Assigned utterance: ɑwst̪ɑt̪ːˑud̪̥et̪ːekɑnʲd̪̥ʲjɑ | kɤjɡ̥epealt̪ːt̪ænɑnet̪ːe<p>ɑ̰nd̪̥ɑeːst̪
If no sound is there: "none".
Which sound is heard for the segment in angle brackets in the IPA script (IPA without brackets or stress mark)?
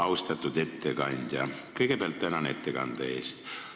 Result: k